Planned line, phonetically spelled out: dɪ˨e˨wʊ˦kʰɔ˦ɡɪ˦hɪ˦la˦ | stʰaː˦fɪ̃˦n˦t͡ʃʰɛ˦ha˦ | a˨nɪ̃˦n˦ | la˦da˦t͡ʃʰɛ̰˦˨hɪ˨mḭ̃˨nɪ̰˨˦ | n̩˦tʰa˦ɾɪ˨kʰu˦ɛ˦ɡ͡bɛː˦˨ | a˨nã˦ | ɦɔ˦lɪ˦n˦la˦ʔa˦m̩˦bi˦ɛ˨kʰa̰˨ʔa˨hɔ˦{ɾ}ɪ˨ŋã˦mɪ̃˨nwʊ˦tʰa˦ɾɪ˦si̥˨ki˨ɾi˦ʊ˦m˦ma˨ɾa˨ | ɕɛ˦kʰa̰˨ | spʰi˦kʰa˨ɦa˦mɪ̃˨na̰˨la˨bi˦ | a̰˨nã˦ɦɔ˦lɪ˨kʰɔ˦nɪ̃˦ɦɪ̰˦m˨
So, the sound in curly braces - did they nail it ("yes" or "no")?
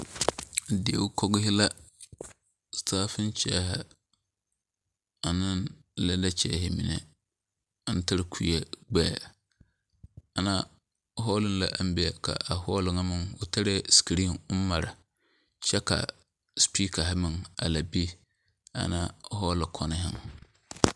no